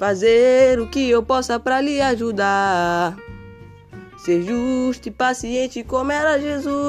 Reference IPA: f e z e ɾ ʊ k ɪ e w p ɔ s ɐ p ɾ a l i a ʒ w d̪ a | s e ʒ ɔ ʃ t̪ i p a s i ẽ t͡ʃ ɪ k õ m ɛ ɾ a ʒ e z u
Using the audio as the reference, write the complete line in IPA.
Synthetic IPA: f a z e ɾ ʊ k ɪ e w p ɔ s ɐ p ɾ a l i a ʒ u d̪ a | s e ʒ u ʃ t̪ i p a s i ẽ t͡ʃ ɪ k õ m ɛ ɾ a ʒ e z u